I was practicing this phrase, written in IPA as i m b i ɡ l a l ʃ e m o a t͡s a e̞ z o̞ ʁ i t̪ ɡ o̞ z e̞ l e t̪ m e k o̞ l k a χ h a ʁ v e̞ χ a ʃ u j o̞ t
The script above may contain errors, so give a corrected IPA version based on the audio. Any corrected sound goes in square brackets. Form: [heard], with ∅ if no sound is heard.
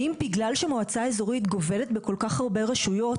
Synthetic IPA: i m b i ɡ l a l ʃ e m o a t͡s a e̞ z o̞ ʁ i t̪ ɡ o̞ [v] e̞ l e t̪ [b] e k o̞ l k a χ h a ʁ [b] e̞ [ʁ] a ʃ u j o̞ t